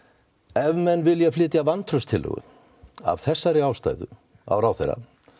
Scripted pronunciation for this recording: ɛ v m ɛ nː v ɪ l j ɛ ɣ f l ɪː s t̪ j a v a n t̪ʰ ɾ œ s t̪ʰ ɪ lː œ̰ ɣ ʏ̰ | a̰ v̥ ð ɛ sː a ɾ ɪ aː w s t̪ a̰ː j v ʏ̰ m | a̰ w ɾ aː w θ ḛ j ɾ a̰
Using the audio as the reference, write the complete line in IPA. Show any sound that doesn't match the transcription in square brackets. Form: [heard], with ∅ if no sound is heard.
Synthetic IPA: ɛ v m ɛ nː v ɪ l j ɛ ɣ f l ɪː [∅] t̪ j a v a n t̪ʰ ɾ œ s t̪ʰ ɪ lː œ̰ ɣ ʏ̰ | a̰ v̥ [θ] ɛ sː a ɾ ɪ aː w s t̪ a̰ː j [ð] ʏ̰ [∅] | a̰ w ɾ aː w θ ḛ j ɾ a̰